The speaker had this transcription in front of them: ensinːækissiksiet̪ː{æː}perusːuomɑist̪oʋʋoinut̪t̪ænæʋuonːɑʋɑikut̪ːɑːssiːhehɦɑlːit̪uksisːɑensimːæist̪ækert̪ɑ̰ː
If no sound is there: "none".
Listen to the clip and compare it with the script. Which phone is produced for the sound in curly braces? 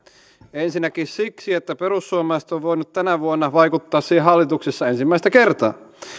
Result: æ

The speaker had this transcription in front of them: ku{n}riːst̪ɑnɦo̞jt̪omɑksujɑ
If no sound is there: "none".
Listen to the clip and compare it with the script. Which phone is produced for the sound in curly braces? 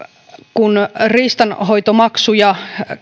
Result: n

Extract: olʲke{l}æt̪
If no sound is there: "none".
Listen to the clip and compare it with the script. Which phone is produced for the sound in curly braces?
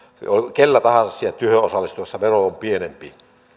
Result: lː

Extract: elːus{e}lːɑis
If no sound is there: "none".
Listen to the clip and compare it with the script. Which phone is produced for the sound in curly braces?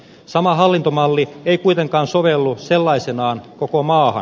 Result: e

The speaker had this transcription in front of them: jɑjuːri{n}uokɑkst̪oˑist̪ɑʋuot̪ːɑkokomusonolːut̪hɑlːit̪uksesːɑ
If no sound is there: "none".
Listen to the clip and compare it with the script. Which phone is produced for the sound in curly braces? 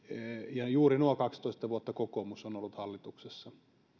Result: n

